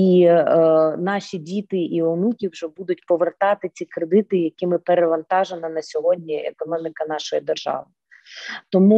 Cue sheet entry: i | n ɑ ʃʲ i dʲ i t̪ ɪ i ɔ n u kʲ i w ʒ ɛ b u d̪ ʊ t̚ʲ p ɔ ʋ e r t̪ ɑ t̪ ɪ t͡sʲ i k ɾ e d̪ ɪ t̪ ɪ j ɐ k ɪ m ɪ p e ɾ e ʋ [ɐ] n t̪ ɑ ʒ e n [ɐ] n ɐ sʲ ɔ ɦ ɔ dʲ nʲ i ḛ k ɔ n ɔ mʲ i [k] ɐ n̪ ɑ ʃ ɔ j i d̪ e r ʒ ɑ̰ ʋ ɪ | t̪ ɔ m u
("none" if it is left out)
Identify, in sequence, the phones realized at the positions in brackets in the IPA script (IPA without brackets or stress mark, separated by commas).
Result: ɐ, ɐ, k